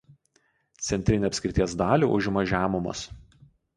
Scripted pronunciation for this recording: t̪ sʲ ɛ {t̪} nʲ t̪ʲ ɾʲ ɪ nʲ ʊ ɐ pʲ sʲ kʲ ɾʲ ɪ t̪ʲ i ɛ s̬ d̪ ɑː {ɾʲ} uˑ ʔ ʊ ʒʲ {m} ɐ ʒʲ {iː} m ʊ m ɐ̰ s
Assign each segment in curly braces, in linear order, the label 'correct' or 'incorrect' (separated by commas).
incorrect, incorrect, correct, incorrect